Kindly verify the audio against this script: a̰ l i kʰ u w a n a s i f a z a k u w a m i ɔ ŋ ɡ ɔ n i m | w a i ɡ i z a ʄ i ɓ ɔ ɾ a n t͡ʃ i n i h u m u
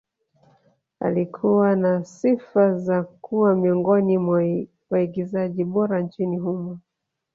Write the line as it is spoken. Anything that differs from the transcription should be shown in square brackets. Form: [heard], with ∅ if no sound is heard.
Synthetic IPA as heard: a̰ l i kʰ u w a n a s i f a z a k u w a m i ɔ ŋ ɡ ɔ n i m | w a i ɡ i z a ʄ i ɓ ɔ ɾ a n t͡ʃ i n i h u m [ɔ]